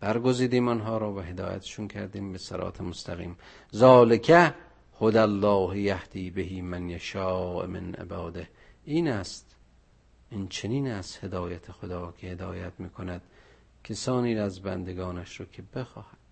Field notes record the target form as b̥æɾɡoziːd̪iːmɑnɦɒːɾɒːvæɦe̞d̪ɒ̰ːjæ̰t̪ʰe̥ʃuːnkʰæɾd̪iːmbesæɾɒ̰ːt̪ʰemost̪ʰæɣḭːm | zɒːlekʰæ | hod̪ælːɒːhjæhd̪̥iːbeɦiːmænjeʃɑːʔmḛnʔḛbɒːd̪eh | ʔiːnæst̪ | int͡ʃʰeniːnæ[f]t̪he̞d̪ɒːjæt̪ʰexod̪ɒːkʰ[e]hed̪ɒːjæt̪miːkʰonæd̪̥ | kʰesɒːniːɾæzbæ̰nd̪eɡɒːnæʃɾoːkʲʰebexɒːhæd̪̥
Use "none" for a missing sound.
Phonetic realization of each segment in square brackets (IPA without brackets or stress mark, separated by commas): s, e